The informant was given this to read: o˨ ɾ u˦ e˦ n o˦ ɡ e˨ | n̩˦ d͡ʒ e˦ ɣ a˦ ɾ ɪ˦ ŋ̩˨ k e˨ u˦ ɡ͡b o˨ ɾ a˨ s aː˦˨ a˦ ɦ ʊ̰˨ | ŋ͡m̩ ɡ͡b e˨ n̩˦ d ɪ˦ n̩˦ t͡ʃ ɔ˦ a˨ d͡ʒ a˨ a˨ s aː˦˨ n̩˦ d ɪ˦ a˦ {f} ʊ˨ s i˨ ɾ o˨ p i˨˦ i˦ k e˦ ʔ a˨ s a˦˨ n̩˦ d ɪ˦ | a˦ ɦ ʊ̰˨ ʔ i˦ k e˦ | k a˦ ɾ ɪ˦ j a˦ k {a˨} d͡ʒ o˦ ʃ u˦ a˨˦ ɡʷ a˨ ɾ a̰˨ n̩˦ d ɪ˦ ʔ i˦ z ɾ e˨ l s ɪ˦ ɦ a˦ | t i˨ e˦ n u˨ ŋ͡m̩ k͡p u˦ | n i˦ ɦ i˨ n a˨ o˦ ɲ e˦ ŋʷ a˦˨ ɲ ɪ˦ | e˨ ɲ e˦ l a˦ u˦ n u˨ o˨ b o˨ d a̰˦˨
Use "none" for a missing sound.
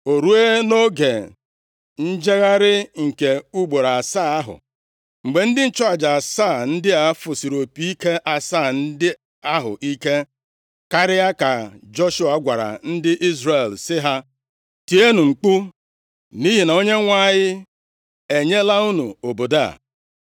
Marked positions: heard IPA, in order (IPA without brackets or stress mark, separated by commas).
f, a˨